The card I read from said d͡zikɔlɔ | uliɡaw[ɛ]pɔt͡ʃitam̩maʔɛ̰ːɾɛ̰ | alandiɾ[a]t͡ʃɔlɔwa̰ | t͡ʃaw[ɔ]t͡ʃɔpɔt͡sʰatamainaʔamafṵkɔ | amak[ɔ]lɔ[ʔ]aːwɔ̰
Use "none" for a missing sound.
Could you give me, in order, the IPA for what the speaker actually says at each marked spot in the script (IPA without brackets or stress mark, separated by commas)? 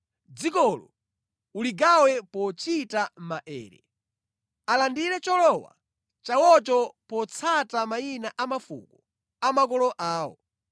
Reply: ɛ, ɛ, ɔ, ɔ, ʔ